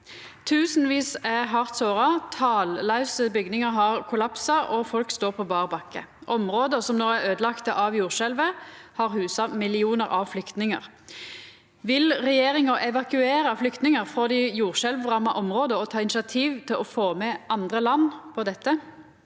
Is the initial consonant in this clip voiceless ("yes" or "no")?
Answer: yes